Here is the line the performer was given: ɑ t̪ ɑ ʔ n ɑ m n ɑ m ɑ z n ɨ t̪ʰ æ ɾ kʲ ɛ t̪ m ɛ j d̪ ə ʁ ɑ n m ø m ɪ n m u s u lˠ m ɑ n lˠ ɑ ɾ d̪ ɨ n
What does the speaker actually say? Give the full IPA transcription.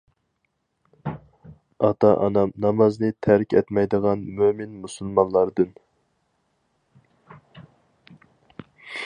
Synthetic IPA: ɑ t̪ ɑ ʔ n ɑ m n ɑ m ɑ z n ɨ t̪ʰ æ ɾ kʲ ɛ t̪ m ɛ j d̪ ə ʁ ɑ n m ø m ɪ n m u s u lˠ m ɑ n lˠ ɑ ɾ d̪ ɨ n